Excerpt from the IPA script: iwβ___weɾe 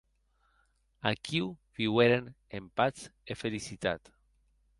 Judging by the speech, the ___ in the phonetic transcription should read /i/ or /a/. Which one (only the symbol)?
i